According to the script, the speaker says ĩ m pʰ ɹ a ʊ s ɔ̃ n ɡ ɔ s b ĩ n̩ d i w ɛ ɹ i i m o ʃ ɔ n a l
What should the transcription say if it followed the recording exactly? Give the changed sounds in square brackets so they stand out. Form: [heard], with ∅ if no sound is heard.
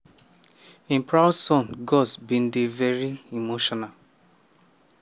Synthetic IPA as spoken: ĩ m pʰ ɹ a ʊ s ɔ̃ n ɡ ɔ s b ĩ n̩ d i [v] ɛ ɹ i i m o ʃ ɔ n a l